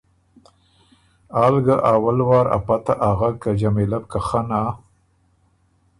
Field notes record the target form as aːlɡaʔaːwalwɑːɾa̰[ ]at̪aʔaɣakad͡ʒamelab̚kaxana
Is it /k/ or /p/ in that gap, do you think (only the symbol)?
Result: p